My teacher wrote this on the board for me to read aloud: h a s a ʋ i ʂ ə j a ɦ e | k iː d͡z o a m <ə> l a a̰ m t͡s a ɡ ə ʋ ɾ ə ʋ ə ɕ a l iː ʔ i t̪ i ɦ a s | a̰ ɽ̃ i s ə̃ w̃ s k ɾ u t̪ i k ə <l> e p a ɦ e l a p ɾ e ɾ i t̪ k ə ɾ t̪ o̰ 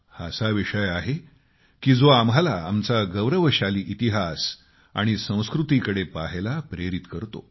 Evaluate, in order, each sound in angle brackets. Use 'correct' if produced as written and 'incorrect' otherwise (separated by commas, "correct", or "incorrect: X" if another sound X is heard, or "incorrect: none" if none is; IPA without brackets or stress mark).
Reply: incorrect: a, incorrect: ɽ